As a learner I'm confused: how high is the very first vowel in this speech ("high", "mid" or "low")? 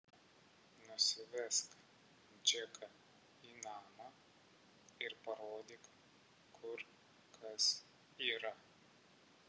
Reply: high